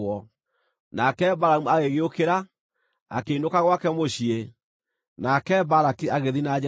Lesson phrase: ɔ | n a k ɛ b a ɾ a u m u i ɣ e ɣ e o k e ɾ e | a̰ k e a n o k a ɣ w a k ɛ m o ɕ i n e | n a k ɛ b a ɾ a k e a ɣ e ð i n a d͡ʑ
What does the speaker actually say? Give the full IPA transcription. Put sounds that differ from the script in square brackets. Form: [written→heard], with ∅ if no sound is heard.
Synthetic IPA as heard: ɔ | n a k ɛ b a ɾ a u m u [i→a] ɣ e ɣ e o k e ɾ [e→a] | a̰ k e [a→i] n o k a ɣ w a k ɛ m o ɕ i [n→∅] e | n a k ɛ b a ɾ a k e a ɣ e ð i n a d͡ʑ